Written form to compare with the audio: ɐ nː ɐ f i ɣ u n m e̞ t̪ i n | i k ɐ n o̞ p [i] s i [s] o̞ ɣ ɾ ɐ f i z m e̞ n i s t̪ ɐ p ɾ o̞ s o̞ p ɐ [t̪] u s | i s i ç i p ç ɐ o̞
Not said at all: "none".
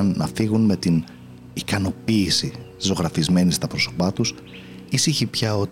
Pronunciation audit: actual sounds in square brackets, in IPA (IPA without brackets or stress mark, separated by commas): iː, z, t̪